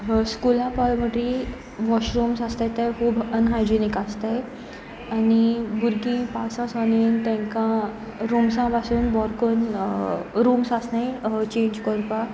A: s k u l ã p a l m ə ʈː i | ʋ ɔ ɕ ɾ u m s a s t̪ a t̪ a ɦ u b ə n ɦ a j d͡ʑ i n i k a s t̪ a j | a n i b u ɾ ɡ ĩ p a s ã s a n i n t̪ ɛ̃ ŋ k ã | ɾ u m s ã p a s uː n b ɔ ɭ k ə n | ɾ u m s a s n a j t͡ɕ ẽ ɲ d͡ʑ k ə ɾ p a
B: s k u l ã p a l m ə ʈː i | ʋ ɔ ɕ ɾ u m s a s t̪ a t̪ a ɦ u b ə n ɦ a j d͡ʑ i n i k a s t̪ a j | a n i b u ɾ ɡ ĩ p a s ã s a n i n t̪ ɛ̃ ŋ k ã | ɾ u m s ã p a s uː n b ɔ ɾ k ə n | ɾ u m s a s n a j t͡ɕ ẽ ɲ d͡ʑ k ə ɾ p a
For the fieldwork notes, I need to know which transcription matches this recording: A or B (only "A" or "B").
B